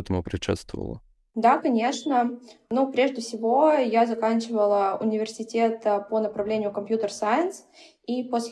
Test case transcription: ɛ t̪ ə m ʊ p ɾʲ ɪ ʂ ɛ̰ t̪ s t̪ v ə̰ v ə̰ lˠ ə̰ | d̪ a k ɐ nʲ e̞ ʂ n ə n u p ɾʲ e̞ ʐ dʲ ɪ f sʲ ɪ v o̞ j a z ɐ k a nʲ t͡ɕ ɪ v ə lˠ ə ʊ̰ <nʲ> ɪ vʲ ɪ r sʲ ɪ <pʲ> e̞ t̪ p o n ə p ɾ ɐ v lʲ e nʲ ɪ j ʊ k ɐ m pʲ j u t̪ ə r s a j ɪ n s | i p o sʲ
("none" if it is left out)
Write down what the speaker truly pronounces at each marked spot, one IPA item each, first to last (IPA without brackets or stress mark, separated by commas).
nʲ, tʲ